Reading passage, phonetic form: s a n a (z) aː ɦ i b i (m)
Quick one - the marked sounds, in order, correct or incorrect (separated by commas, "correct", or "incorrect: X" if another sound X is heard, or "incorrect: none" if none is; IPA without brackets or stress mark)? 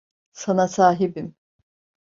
incorrect: s, correct